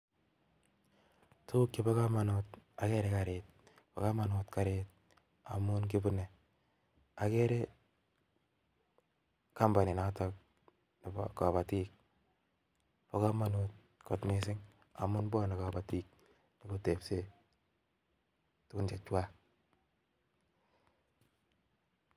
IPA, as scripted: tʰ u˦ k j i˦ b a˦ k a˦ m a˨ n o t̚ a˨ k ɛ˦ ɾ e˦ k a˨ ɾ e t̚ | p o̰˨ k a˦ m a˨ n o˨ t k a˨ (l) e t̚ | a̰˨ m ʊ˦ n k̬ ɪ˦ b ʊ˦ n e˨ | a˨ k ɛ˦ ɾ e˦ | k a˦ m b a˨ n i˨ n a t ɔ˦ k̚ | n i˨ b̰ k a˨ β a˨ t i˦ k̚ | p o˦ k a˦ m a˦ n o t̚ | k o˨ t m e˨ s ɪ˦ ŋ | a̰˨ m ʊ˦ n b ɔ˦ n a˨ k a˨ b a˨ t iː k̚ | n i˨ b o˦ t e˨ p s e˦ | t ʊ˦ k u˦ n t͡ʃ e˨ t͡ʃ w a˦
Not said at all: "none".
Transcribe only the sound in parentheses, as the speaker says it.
ɾ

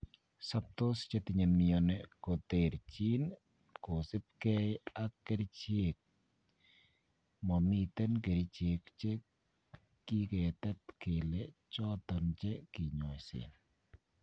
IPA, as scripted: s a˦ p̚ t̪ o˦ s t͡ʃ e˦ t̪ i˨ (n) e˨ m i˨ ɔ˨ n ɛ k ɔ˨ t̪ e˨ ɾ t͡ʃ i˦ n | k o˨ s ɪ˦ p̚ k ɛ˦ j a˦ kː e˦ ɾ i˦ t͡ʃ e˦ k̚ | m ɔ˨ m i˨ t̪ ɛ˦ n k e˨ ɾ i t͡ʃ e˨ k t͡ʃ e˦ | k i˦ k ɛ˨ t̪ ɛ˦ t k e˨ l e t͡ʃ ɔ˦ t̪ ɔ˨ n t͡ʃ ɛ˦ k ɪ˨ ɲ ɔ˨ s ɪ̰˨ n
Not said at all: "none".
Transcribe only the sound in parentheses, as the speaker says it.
ɲ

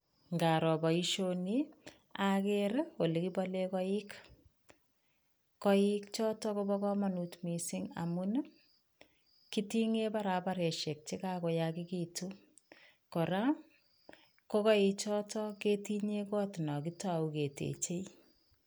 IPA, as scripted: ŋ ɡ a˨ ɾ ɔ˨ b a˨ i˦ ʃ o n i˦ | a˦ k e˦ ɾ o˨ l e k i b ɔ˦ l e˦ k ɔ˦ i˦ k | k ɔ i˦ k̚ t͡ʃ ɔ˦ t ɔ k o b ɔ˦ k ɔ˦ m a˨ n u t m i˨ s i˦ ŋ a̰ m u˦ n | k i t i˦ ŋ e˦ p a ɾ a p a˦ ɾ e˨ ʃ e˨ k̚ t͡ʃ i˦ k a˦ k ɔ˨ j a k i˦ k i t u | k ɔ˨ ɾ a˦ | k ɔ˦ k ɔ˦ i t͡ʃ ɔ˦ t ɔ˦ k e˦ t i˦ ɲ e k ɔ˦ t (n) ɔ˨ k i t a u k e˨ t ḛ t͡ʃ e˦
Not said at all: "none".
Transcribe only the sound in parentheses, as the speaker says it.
n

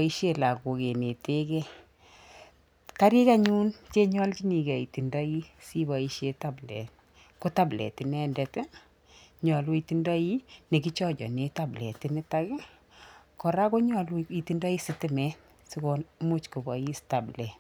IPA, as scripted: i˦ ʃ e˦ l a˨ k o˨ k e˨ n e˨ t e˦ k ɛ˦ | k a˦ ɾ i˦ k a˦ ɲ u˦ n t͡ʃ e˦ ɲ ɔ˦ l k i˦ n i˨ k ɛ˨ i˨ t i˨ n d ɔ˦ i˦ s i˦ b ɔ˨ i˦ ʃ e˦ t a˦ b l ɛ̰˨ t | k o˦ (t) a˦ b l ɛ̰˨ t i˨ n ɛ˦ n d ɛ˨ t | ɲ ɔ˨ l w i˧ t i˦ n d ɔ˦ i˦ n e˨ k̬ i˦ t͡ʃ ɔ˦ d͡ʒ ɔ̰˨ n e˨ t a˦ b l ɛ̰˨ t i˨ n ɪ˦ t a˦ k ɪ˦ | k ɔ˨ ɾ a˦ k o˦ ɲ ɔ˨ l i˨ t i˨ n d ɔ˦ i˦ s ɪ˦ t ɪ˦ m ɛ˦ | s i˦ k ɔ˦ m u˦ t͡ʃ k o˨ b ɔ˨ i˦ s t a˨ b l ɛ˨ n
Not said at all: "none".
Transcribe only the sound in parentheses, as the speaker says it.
t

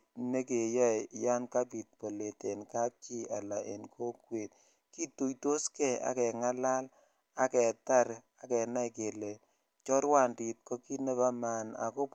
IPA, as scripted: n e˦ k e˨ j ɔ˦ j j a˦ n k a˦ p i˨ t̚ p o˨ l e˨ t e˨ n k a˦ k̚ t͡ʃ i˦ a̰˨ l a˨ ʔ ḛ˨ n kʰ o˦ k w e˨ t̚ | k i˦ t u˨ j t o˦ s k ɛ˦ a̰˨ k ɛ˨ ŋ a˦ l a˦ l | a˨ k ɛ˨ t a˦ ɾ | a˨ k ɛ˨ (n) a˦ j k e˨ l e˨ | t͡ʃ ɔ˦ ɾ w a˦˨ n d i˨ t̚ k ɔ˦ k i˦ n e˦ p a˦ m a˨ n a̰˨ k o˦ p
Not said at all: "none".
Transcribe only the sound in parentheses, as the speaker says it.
n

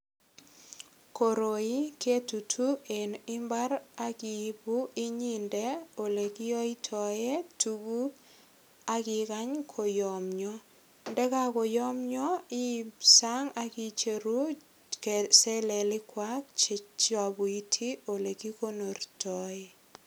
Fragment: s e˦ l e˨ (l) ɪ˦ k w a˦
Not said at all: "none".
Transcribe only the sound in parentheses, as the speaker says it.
l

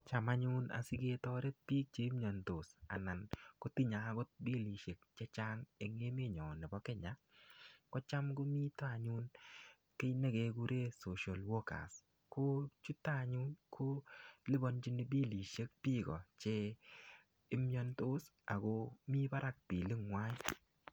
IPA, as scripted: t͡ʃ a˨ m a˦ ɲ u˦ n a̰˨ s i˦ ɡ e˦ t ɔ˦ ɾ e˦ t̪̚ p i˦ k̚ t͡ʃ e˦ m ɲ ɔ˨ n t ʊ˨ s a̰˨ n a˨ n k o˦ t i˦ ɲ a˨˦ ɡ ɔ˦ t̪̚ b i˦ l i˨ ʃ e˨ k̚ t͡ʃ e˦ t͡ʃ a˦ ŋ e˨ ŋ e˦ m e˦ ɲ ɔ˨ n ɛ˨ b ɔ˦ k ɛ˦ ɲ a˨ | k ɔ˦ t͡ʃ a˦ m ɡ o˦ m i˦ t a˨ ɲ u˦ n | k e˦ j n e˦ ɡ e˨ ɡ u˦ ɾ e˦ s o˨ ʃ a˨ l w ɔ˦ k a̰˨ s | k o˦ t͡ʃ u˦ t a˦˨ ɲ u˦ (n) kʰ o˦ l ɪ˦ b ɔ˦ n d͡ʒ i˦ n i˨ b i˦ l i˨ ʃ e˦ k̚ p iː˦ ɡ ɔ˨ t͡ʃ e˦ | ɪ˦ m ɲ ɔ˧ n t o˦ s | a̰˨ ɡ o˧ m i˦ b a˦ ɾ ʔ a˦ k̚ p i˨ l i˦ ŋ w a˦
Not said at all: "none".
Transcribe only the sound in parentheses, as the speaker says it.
n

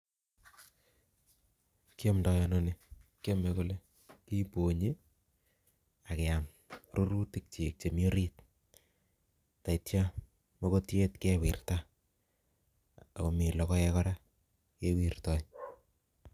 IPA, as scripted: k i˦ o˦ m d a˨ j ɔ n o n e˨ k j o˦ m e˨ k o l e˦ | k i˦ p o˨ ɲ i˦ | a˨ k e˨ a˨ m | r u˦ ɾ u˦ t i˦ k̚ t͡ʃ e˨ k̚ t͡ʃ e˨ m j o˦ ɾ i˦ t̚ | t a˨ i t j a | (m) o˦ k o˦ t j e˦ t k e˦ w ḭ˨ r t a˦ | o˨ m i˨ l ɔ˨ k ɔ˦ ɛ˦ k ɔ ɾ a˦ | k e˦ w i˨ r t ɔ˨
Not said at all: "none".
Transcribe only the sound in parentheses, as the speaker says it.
m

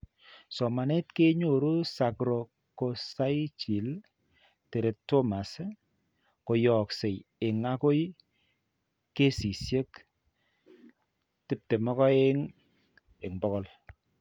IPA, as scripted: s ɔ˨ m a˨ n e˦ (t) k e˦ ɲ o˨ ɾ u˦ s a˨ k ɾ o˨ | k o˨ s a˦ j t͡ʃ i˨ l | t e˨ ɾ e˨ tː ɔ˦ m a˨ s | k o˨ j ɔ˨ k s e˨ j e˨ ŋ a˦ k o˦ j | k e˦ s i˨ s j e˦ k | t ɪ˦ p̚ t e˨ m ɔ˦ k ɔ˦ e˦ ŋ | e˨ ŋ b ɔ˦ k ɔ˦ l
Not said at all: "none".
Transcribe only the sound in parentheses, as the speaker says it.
t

